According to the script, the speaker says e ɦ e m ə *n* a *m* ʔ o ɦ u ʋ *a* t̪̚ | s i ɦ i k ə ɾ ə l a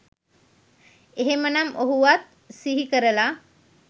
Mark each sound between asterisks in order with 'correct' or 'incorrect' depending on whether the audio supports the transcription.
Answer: correct, correct, correct

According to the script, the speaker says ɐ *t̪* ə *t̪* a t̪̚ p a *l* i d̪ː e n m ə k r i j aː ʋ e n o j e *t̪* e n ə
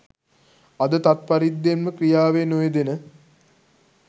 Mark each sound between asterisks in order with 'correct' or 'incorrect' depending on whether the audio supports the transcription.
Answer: incorrect, correct, incorrect, incorrect

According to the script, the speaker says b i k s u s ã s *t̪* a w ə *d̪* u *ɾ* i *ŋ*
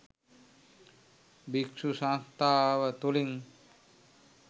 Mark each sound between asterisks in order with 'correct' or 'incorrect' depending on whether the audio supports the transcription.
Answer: correct, incorrect, incorrect, correct

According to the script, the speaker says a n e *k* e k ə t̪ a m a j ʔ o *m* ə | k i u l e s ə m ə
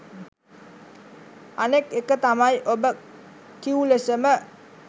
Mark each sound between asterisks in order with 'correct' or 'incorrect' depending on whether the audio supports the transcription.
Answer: correct, incorrect

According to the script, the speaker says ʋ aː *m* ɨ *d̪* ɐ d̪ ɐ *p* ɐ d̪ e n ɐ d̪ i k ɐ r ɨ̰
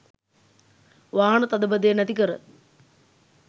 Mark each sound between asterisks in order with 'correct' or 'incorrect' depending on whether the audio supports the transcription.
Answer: incorrect, incorrect, incorrect

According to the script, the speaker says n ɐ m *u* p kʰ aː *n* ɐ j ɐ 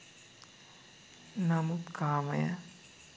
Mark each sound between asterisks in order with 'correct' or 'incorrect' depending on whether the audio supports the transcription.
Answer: correct, incorrect

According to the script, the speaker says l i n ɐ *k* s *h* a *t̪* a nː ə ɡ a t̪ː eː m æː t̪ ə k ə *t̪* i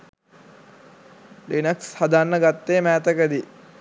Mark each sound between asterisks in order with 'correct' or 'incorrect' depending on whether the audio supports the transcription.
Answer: correct, correct, incorrect, incorrect

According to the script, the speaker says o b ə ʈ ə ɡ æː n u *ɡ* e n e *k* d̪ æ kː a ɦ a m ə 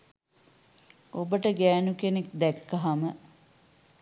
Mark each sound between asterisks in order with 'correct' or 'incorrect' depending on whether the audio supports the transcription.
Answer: incorrect, correct

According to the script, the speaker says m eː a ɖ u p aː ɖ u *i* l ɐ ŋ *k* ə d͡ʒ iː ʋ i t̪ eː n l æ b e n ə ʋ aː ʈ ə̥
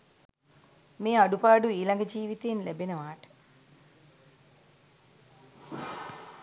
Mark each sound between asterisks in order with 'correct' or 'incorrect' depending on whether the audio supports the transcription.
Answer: incorrect, incorrect

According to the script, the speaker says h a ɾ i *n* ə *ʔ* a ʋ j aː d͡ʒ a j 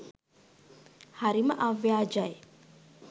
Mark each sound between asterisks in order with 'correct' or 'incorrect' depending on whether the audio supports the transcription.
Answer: incorrect, correct

